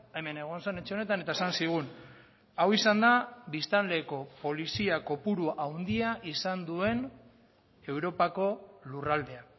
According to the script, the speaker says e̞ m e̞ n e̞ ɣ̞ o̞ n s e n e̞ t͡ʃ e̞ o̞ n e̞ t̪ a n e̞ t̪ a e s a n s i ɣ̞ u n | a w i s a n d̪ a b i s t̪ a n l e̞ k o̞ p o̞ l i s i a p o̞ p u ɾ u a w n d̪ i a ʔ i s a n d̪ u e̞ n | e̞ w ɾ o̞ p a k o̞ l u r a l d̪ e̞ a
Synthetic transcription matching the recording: e̞ m e̞ n e̞ ɣ̞ o̞ n s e n e̞ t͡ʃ e̞ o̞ n e̞ t̪ a n e̞ t̪ a e s a n s i ɣ̞ u n | a w i s a n d̪ a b i s t̪ a n l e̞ k o̞ p o̞ l i s i a k o̞ p u ɾ u a w n d̪ i a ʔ i s a n d̪ u e̞ n | e̞ w ɾ o̞ p a k o̞ l u r a l d̪ e̞ a

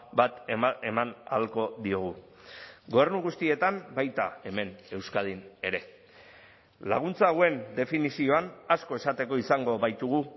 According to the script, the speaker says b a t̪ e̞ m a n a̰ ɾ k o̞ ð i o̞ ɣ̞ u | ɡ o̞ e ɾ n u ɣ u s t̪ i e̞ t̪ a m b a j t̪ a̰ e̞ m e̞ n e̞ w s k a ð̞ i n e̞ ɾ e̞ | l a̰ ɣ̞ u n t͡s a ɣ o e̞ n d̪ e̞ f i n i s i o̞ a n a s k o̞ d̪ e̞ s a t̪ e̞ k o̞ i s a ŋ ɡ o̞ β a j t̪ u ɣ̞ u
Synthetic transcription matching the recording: b a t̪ e̞ m a n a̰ l k o̞ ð i o̞ ɣ̞ u | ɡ o̞ e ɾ n u ɣ u s t̪ i e̞ t̪ a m b a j t̪ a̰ e̞ m e̞ n e̞ w s k a ð̞ i n e̞ ɾ e̞ | l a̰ ɣ̞ u n t͡s a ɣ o e̞ n d̪ e̞ f i n i s i o̞ a n a s k o̞ e̞ s a t̪ e̞ k o̞ i s a ŋ ɡ o̞ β a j t̪ u ɣ̞ u

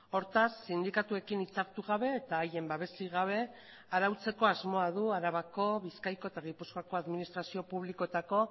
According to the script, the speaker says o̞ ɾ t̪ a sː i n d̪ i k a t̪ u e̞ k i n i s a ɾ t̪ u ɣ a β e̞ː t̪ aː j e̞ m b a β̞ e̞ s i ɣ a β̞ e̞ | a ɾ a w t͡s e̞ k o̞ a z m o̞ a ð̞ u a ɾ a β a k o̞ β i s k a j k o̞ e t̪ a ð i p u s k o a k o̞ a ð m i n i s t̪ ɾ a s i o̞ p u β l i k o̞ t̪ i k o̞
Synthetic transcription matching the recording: o̞ ɾ t̪ a sː i n d̪ i k a t̪ u e̞ k i n i t͡s a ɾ t̪ u ɣ a β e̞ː t̪ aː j e̞ m b a β̞ e̞ s i ɣ a β̞ e̞ | a ɾ a w t͡s e̞ k o̞ a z m o̞ a ð̞ u a ɾ a β a k o̞ β i s k a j k o̞ e t̪ a ɣ i p u s k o a k o̞ a ð m i n i s t̪ ɾ a s i o̞ p u β l i k o̞ t̪ a k o̞

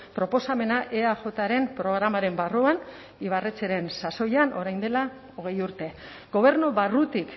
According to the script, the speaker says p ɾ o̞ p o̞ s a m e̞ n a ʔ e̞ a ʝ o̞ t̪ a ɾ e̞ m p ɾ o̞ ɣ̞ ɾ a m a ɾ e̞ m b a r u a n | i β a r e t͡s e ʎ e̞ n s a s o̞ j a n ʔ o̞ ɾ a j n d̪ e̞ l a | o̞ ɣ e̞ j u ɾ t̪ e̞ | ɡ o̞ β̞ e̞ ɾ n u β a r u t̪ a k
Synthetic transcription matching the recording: p ɾ o̞ p o̞ s a m e̞ n a ʔ e̞ a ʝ o̞ t̪ a ɾ e̞ m p ɾ o̞ ɣ̞ ɾ a m a ɾ e̞ m b a r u a n | i β a r e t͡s e ɾ e̞ n s a s o̞ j a n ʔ o̞ ɾ a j n d̪ e̞ l a | o̞ ɣ e̞ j u ɾ t̪ e̞ | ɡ o̞ β̞ e̞ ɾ n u β a r u t̪ i k

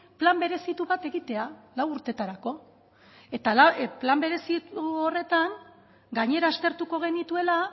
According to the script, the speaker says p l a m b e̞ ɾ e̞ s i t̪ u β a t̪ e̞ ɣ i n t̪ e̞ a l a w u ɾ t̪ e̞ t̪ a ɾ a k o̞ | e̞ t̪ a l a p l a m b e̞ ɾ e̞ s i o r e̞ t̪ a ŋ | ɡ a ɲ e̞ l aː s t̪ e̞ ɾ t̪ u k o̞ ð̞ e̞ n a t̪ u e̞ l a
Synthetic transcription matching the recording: p l a m b e̞ ɾ e̞ s i t̪ u β a t̪ e̞ ɣ i t̪ e̞ a l a w u ɾ t̪ e̞ t̪ a ɾ a k o̞ | e̞ t̪ a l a p l a m b e̞ ɾ e̞ s i o r e̞ t̪ a ŋ | ɡ a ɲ e̞ ɾ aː s t̪ e̞ ɾ t̪ u k o̞ ɣ̞ e̞ n i t̪ u e̞ l a

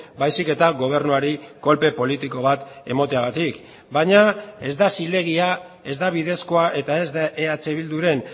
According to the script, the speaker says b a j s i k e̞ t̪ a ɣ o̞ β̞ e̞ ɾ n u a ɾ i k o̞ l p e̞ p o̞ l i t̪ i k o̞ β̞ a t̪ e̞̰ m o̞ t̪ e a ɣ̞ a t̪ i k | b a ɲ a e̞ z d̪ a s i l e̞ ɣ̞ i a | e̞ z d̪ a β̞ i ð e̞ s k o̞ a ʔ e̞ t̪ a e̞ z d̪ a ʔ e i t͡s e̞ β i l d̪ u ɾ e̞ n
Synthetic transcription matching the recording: b a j s i k e̞ t̪ a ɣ o̞ β̞ e̞ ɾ n u a ɾ i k o̞ l p e̞ p o̞ l i t̪ i k o̞ β̞ a t̪ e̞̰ m o̞ t̪ e a ɣ̞ a t̪ i k | b a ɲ a e̞ z d̪ a s i l e̞ ɣ̞ i a | e̞ z d̪ a β̞ i ð e̞ s k o̞ a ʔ e̞ t̪ a e̞ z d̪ a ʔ e a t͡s e̞ β i l d̪ u ɾ e̞ n

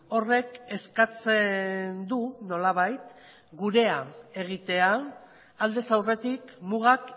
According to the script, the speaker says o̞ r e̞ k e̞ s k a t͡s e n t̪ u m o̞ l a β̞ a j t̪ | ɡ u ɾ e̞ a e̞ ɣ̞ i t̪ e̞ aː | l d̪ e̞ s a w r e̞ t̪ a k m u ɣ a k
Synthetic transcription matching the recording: o̞ r e̞ k e̞ s k a t͡s e n d̪ u n o̞ l a β̞ a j t̪ | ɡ u ɾ e̞ a e̞ ɣ̞ i t̪ e̞ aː | l d̪ e̞ s a w r e̞ t̪ i k m u ɣ a k

